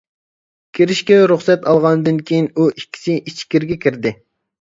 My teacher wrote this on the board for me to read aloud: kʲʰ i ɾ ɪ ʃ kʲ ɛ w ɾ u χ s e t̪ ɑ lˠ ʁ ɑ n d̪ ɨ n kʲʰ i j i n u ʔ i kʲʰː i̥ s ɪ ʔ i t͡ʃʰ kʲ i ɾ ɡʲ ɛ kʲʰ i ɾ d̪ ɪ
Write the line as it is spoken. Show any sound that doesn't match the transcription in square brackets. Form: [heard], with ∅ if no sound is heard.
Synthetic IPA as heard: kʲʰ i ɾ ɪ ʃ kʲ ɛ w ɾ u χ s [ɛ] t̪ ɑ lˠ ʁ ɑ n d̪ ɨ n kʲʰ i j i n u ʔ i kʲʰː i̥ s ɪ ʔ i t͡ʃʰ kʲ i ɾ ɡʲ ɛ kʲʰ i ɾ d̪ ɪ